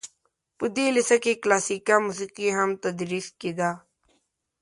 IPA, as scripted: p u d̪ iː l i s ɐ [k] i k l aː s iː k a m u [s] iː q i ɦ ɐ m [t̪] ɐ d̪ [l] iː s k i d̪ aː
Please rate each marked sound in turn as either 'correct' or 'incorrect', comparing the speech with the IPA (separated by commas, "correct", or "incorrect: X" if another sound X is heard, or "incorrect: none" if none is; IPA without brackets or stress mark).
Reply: correct, correct, correct, incorrect: ɾ